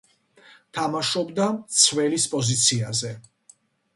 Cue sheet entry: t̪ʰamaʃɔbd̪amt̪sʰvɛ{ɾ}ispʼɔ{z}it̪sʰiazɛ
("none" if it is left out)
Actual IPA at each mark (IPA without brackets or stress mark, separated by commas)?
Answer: l, z